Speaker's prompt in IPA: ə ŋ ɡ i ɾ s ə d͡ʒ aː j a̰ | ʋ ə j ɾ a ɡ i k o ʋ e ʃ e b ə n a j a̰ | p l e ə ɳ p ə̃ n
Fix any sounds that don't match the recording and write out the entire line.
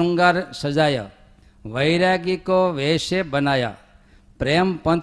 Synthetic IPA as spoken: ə ŋ ɡ a ɾ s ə d͡ʒ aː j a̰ | ʋ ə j ɾ a ɡ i k o ʋ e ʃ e b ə n a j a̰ | p ɾ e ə m p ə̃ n